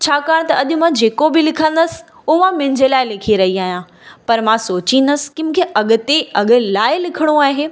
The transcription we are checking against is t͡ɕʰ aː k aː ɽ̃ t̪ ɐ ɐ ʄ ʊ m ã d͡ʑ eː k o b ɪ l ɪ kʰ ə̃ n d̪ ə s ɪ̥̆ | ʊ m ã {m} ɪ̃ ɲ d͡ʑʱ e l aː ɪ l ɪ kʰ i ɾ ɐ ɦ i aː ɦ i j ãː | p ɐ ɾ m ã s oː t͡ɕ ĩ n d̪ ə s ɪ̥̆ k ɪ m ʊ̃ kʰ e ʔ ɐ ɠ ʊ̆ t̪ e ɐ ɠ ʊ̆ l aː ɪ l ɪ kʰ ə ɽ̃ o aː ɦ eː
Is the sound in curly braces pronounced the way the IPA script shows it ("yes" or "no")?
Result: yes